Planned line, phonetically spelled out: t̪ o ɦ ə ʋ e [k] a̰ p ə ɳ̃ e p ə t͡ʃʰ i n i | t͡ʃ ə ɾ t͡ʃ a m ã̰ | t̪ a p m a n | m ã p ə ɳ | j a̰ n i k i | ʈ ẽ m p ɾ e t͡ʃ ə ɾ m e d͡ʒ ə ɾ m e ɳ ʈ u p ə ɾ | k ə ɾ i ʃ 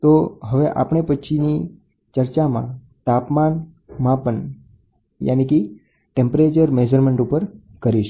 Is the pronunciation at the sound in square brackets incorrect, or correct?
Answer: incorrect